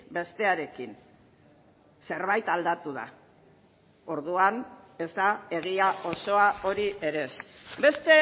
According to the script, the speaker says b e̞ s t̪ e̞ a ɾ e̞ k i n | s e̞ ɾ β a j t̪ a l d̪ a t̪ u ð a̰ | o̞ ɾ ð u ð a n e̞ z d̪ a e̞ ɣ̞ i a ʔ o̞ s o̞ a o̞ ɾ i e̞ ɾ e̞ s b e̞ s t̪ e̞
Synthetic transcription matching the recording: b e̞ s t̪ e̞ a ɾ e̞ k i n | s e̞ ɾ β a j t̪ a l d̪ a t̪ u ð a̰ | o̞ ɾ ð u a n e̞ z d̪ a e̞ ɣ̞ i a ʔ o̞ s o̞ a o̞ ɾ i e̞ ɾ e̞ s b e̞ s t̪ e̞

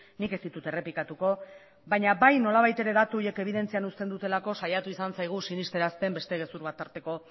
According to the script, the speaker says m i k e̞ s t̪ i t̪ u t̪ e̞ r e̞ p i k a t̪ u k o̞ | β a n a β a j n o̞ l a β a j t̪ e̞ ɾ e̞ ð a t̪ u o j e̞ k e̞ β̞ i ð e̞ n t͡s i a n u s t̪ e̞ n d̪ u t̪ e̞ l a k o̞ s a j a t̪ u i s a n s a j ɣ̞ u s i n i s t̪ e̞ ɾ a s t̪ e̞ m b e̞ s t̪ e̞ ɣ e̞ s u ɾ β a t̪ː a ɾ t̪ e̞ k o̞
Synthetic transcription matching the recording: n i k e̞ s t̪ i t̪ u t̪ e̞ r e̞ p i k a t̪ u k o̞ | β a ɲ a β a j n o̞ l a β a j t̪ e̞ ɾ e̞ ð a t̪ u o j e̞ k e̞ β̞ i ð e̞ n t͡s i a n u s t̪ e̞ n d̪ u t̪ e̞ l a k o̞ s a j a t̪ u i s a n s a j ɣ̞ u s i n i s t̪ e̞ ɾ a s t̪ e̞ m b e̞ s t̪ e̞ ɣ e̞ s u ɾ β a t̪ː a ɾ t̪ e̞ k o̞

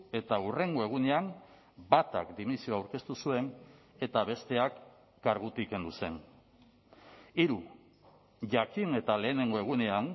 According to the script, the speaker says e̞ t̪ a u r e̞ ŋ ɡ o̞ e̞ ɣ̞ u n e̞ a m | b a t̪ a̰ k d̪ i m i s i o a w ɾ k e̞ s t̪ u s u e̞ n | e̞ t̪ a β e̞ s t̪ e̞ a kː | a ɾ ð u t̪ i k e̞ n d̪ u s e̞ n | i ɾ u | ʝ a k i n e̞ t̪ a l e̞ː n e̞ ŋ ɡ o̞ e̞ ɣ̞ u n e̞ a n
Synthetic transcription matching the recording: e̞ t̪ a u r e̞ ŋ ɡ o̞ e̞ ɣ̞ u n e̞ a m | b a t̪ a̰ k d̪ i m i s i o a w ɾ k e̞ s t̪ u s u e̞ n | e̞ t̪ a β e̞ s t̪ e̞ a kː | a ɾ ɣ u t̪ i k e̞ n d̪ u s e̞ n | i ɾ u | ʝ a k i n e̞ t̪ a l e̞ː n e̞ ŋ ɡ o̞ e̞ ɣ̞ u n e̞ a n

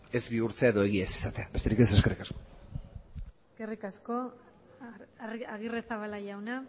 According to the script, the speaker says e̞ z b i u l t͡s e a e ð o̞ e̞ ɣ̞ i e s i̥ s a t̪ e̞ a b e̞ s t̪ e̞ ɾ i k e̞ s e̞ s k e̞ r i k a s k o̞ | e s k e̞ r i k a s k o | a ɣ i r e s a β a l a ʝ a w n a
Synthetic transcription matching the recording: e̞ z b i u ɾ t͡s e a e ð o̞ e̞ ɣ̞ i e s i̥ s a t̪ e̞ a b e̞ s t̪ e̞ ɾ i k e̞ s e̞ s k e̞ r i k a s k o̞ | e s k e̞ r i k a s k o | a ɣ i r e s a β a l a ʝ a w n a

